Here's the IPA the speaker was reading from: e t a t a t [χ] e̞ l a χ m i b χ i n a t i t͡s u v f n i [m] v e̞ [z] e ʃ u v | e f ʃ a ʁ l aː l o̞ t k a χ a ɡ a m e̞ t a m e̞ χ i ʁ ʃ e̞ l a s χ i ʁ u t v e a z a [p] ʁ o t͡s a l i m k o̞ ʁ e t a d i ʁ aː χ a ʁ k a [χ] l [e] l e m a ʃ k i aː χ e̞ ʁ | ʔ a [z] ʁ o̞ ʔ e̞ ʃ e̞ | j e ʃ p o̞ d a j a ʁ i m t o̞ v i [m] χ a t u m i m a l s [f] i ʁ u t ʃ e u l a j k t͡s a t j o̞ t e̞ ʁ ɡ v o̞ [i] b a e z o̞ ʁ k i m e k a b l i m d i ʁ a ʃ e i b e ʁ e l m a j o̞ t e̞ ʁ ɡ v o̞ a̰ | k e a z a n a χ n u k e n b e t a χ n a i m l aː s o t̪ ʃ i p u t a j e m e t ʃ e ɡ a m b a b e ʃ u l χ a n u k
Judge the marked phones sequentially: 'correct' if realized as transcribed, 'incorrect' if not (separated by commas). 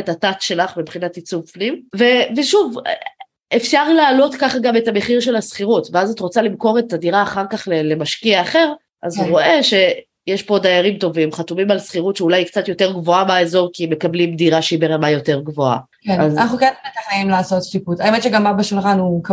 incorrect, correct, incorrect, incorrect, correct, correct, correct, correct, incorrect, incorrect